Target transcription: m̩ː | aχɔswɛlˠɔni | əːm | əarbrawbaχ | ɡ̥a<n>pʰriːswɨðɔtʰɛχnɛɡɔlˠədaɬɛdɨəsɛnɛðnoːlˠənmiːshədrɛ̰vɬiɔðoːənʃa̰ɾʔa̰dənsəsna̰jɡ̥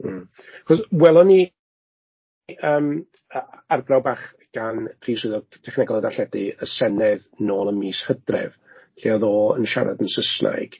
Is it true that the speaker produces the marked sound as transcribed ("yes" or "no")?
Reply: yes